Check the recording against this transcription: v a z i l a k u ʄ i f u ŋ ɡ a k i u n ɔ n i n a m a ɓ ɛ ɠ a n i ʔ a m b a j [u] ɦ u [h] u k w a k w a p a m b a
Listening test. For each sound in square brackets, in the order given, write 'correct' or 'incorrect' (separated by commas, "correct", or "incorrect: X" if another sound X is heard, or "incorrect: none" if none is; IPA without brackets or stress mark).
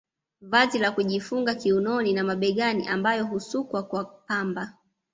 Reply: incorrect: ɔ, incorrect: s